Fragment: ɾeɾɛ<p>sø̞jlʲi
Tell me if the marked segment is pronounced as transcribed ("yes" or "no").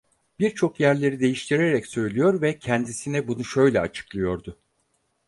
no